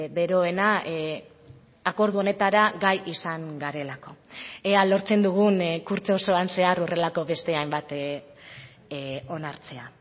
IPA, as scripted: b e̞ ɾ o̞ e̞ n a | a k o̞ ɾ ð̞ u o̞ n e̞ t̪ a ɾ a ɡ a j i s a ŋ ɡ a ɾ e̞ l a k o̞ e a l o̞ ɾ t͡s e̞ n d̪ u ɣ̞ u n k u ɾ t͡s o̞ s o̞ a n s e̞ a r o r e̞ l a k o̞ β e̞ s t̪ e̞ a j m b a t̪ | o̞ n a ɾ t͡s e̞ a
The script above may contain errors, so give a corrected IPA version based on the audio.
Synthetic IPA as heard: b e̞ ɾ o̞ e̞ n a | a k o̞ ɾ ð̞ u o̞ n e̞ t̪ a ɾ a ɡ a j i s a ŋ ɡ a ɾ e̞ l a k o̞ e a l o̞ ɾ t͡s e̞ n d̪ u ɣ̞ u n k u ɾ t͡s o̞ s o̞ a n s e̞ a r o r e̞ l a k o̞ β e̞ s t̪ e̞ a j m b a t̪ | o̞ n a ɾ t͡s e̞ a